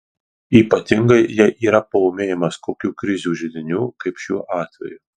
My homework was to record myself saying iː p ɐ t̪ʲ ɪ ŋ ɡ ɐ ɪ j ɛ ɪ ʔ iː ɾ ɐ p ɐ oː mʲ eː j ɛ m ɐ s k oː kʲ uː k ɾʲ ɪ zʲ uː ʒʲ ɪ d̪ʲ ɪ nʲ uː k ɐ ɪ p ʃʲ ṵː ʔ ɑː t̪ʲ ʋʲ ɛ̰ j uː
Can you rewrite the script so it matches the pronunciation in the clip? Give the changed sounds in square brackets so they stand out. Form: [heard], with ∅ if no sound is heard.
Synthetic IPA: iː p ɐ t̪ʲ ɪ ŋ ɡ ɐ ɪ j ɛ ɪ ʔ iː ɾ ɐ p ɐ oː mʲ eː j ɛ m ɐ s k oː kʲ uː k ɾʲ ɪ zʲ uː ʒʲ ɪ d̪ʲ ɪ nʲ uː k ɐ ɪ p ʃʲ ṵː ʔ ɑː t̪ʲ ʋʲ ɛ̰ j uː